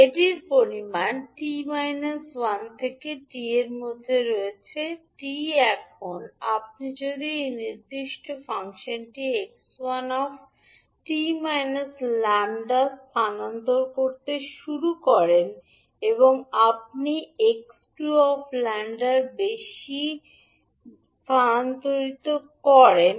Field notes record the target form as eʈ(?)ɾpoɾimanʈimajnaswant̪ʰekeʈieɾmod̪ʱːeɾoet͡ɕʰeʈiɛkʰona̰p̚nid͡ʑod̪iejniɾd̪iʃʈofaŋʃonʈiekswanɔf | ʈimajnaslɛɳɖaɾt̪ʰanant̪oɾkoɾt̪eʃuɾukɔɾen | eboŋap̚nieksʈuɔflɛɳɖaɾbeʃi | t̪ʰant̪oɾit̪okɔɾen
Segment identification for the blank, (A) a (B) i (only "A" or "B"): B